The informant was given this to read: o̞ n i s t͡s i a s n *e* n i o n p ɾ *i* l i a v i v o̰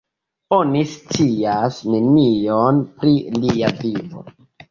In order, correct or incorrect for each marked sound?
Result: correct, correct

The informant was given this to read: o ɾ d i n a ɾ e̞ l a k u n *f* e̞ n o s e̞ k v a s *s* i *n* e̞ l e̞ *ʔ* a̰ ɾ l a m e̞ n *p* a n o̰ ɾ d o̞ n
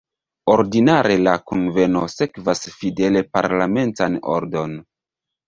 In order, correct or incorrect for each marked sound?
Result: incorrect, incorrect, incorrect, incorrect, incorrect

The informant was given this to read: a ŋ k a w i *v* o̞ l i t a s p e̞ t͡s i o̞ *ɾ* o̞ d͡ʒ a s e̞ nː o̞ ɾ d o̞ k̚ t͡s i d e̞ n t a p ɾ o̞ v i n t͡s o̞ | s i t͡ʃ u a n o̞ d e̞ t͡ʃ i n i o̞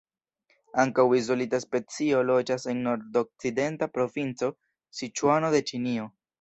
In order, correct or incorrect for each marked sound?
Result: incorrect, incorrect

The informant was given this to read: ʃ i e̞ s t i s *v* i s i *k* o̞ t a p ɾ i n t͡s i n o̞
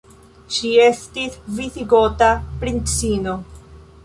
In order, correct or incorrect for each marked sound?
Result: correct, incorrect

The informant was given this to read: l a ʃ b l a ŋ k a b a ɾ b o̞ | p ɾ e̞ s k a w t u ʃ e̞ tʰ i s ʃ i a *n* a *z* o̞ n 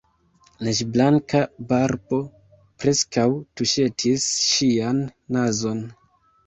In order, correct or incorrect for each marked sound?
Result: incorrect, correct

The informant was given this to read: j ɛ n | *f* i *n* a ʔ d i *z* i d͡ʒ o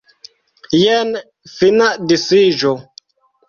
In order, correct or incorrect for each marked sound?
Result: correct, correct, incorrect

